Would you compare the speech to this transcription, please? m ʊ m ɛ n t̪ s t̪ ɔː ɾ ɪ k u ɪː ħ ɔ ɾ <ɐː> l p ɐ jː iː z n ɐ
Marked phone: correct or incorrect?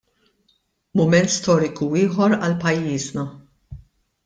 incorrect